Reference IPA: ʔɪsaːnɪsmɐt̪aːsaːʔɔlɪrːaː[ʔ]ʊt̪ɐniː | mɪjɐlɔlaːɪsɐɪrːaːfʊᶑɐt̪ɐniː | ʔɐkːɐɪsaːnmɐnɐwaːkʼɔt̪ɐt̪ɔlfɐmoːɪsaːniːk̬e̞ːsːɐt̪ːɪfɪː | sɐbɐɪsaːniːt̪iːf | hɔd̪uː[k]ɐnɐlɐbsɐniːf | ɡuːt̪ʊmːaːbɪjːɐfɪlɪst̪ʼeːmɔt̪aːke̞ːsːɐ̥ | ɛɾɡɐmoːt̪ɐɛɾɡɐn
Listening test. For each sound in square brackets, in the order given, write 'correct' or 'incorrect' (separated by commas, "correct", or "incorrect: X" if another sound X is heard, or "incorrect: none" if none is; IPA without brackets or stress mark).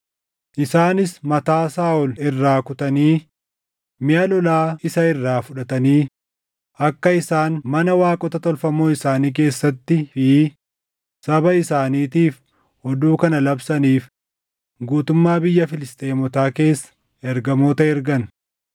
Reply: incorrect: k, correct